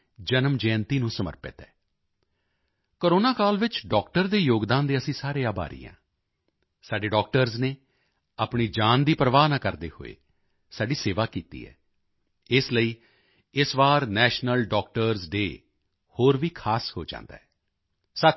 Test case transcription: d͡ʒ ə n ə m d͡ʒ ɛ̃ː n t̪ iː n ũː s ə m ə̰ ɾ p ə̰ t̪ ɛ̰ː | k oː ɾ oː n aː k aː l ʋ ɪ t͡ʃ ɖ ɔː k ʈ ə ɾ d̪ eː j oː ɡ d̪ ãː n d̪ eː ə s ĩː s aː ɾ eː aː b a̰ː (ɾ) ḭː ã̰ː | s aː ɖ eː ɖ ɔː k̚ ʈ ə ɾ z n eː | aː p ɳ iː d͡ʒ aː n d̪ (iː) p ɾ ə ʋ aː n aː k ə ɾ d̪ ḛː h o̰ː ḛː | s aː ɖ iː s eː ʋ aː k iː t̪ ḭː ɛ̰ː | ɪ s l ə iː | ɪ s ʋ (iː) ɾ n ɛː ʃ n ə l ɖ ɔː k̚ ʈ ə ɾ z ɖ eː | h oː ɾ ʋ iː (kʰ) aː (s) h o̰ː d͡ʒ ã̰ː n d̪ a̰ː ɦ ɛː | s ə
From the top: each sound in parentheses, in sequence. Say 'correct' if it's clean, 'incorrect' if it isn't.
correct, correct, incorrect, correct, correct

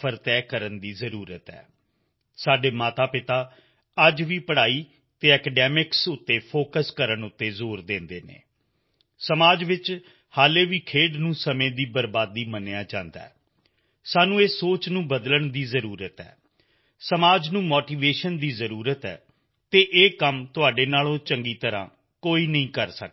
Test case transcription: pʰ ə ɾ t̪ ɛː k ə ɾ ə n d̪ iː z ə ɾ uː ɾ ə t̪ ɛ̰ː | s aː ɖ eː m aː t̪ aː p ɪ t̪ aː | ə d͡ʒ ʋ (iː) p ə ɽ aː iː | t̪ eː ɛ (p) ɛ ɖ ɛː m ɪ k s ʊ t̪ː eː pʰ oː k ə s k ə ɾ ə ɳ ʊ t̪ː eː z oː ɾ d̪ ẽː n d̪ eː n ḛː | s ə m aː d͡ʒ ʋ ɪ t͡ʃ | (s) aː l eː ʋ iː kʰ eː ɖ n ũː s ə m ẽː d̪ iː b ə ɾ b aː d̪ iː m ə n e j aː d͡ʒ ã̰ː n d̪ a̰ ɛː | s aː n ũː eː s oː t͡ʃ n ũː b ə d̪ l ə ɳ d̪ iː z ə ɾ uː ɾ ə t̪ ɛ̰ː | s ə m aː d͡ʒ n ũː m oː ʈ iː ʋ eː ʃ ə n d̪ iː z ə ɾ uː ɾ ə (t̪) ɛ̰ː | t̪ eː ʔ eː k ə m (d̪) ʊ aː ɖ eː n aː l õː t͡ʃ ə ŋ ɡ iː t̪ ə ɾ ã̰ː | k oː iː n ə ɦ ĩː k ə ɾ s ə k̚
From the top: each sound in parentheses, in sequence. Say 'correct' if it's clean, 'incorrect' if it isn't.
correct, incorrect, incorrect, correct, incorrect

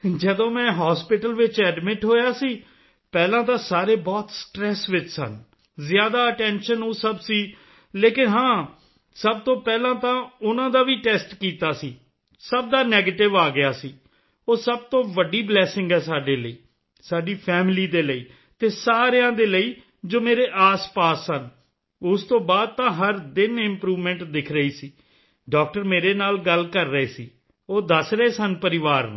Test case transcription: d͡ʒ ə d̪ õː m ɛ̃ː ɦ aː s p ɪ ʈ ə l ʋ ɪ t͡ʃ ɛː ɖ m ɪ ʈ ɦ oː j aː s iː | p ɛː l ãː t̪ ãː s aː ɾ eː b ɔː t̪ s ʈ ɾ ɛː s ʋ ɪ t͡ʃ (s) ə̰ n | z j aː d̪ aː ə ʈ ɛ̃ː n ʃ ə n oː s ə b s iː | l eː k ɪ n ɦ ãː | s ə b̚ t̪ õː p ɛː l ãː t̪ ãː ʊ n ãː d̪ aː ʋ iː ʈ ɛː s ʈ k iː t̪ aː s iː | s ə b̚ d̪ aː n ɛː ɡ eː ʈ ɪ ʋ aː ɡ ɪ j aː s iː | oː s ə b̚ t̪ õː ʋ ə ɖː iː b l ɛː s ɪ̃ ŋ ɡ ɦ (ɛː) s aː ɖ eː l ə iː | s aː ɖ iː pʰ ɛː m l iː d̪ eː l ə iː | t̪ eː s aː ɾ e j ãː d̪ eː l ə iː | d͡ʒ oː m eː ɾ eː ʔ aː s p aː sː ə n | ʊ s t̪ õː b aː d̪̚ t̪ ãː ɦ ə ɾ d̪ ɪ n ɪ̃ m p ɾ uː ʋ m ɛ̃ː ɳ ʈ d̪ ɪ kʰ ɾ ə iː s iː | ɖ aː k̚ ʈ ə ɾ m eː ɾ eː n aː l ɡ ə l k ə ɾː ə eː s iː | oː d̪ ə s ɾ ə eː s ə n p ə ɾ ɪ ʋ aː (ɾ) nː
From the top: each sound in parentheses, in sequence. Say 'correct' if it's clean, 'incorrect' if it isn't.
correct, correct, correct

